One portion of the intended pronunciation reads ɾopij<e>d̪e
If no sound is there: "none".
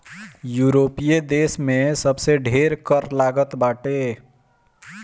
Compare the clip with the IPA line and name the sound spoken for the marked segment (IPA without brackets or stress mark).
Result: e